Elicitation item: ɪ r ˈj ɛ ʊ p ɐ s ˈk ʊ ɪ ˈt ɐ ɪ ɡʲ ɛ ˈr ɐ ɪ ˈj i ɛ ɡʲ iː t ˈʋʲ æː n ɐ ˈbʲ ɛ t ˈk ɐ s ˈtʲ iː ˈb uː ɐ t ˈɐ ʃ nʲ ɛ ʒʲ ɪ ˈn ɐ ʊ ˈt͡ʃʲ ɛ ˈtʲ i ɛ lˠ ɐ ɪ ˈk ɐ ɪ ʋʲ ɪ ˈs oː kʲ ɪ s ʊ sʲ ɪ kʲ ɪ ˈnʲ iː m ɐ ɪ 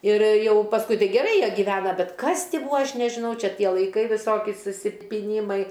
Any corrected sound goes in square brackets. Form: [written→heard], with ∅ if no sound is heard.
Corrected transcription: ɪ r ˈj ɛ ʊ p ɐ s ˈk ʊ ɪ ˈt ɐ ɪ ɡʲ ɛ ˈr ɐ ɪ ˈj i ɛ ɡʲ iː [t→∅] ˈʋʲ æː n ɐ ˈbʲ ɛ t ˈk ɐ s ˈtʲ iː ˈb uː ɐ [t→∅] ˈɐ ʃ nʲ ɛ ʒʲ ɪ ˈn ɐ ʊ ˈt͡ʃʲ ɛ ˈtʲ i ɛ lˠ ɐ ɪ ˈk ɐ ɪ ʋʲ ɪ ˈs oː kʲ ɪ s ʊ sʲ ɪ [kʲ→pʲ] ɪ ˈnʲ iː m ɐ ɪ